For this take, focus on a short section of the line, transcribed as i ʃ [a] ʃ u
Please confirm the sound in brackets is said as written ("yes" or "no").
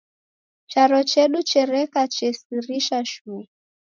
yes